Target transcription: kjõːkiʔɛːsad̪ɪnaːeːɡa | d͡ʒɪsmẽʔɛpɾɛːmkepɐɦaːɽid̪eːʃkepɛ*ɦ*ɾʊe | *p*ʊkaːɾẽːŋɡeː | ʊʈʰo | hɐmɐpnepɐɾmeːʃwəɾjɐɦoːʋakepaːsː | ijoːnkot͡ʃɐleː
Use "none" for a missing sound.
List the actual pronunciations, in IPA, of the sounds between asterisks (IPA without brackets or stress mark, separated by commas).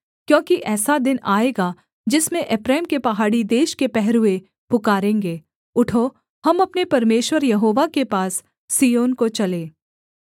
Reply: ɦ, p